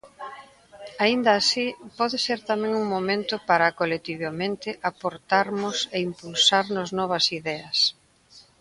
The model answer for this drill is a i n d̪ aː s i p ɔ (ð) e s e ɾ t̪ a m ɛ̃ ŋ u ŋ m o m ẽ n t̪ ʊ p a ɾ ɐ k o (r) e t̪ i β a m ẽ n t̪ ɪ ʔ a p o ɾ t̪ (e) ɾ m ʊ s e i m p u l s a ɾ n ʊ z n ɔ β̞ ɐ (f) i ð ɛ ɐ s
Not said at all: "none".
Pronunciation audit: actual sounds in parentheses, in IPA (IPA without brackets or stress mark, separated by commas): ð, l, a, s